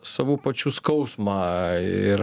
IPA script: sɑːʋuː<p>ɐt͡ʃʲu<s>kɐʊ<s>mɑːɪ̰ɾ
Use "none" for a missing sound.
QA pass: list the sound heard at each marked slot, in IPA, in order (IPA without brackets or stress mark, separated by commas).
p, s, s